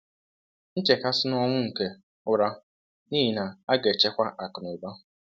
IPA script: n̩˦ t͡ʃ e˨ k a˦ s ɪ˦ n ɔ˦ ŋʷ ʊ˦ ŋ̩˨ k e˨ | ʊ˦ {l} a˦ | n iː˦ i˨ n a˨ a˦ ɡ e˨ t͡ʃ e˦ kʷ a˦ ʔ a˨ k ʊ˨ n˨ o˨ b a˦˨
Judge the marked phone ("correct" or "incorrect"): incorrect